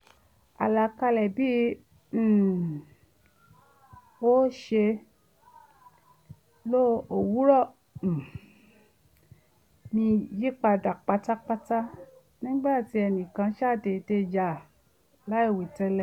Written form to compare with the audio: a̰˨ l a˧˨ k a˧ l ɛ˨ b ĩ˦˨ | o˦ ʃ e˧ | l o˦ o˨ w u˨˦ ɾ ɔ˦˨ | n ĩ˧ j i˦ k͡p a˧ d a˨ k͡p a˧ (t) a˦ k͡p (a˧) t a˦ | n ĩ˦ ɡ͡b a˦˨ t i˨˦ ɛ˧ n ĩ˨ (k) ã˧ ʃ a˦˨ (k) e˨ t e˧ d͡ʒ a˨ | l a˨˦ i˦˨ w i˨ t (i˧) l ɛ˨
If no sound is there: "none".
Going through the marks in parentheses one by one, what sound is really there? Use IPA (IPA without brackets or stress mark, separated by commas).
t, a˧, k, t, ɛ˧